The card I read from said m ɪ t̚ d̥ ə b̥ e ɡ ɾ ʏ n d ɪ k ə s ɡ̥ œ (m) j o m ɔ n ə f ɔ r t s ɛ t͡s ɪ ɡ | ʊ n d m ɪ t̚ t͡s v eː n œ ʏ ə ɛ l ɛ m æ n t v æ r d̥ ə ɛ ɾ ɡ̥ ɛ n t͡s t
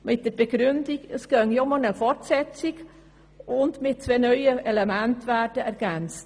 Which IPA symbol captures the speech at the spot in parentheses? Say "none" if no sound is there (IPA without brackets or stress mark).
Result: ŋ